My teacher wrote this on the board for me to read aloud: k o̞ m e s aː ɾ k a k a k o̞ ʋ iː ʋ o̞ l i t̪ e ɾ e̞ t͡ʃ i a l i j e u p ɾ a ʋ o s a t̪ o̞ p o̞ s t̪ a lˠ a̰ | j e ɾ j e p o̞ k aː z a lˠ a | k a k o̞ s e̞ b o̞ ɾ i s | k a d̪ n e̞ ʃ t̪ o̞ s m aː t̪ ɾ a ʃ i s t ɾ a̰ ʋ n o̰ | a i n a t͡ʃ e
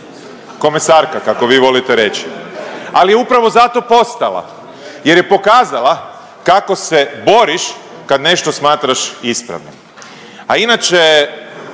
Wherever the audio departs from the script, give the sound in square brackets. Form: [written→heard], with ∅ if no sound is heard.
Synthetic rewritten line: k o̞ m e s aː ɾ k a k a k o̞ ʋ iː ʋ o̞ l i t̪ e ɾ e̞ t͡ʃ i a l i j e u p ɾ a ʋ o [s→z] a t̪ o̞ p o̞ s t̪ a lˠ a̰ | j e ɾ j e p o̞ k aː z a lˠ a | k a k o̞ s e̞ b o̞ ɾ i [s→ʃ] | k a d̪ n e̞ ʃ t̪ o̞ s m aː t̪ ɾ a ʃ i s [t→p] ɾ a̰ ʋ n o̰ | a i n a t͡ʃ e

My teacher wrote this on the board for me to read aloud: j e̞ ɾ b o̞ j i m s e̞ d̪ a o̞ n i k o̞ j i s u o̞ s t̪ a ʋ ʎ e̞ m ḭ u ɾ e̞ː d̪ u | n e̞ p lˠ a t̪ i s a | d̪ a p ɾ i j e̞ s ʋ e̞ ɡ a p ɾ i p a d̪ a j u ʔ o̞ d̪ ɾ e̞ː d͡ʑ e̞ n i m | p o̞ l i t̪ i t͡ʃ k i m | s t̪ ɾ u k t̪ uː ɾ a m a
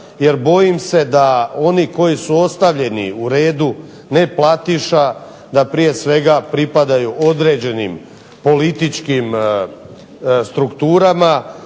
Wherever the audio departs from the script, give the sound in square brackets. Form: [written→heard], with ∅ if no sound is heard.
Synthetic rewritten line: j e̞ ɾ b o̞ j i m s e̞ d̪ a o̞ n i k o̞ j i s u o̞ s t̪ a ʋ ʎ e̞ [m→n] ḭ u ɾ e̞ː d̪ u | n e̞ p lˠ a t̪ i [s→ʃ] a | d̪ a p ɾ i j e̞ s ʋ e̞ ɡ a p ɾ i p a d̪ a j u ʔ o̞ d̪ ɾ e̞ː d͡ʑ e̞ n i m | p o̞ l i t̪ i t͡ʃ k i m | s t̪ ɾ u k t̪ uː ɾ a m a

